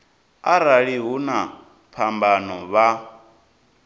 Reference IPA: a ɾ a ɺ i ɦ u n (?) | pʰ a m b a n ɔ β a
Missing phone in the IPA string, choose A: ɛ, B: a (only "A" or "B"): B